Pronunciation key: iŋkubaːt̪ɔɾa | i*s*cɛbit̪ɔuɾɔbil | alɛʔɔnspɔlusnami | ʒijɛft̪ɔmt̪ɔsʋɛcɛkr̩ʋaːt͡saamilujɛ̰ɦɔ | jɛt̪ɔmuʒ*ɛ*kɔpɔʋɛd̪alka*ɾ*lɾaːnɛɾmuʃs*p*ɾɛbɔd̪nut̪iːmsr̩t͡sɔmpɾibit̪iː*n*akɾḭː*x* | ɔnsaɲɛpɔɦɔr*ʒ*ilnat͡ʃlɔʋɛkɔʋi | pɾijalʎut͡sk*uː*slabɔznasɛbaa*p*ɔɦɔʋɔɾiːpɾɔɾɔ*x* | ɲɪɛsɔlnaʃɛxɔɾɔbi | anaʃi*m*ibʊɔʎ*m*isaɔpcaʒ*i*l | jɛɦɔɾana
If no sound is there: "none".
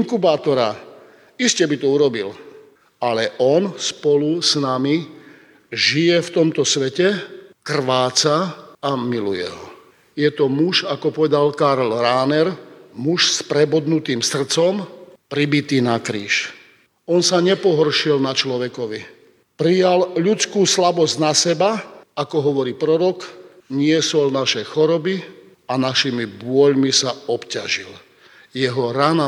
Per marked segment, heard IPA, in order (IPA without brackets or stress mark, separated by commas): s, a, ɾ, p, n, ʃ, ʃ, uː, k, k, m, m, i